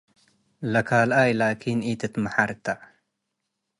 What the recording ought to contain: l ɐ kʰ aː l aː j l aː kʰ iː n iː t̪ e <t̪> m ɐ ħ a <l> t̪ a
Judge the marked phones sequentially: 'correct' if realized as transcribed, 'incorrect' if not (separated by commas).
correct, incorrect